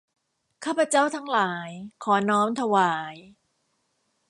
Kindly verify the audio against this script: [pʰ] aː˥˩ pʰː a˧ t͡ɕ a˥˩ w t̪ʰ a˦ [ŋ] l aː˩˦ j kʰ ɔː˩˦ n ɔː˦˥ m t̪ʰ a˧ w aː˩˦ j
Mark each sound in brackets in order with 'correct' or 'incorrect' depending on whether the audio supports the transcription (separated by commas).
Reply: incorrect, correct